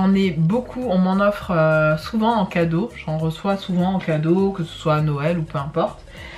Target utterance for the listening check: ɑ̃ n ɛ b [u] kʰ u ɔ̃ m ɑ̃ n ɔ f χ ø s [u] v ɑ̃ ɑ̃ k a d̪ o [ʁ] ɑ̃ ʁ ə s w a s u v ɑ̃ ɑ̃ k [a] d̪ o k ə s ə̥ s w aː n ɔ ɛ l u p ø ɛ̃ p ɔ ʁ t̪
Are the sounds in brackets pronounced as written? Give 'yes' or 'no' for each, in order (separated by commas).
no, yes, no, yes